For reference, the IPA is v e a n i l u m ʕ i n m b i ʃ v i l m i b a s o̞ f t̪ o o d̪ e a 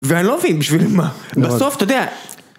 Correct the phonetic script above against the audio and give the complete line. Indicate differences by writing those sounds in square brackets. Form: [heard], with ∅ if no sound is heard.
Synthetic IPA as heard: v e a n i l [o] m [v] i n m b i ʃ v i l m [a] b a s o̞ f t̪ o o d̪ e a